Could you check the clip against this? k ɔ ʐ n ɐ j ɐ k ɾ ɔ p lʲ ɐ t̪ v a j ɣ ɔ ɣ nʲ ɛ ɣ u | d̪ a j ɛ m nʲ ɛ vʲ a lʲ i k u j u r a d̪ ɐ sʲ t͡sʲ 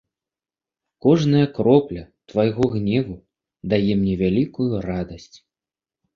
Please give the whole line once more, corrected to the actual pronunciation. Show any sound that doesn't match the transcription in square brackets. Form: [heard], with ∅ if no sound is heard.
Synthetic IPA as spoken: k ɔ ʐ n ɐ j ɐ k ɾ ɔ p lʲ ɐ t̪ v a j ɣ ɔ ɣ nʲ ɛ [v] u | d̪ a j ɛ m nʲ ɛ vʲ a lʲ i k u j u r a d̪ ɐ sʲ t͡sʲ